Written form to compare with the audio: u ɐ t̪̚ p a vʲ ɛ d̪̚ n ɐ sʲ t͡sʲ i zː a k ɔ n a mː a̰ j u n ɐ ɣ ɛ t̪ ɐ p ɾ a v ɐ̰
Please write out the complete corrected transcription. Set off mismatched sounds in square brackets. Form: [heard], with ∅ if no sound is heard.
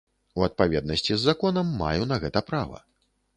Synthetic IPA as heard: u ɐ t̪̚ p a vʲ ɛ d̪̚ n ɐ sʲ t͡sʲ i zː a k ɔ n [ɐ] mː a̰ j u n ɐ ɣ ɛ t̪ ɐ p ɾ a v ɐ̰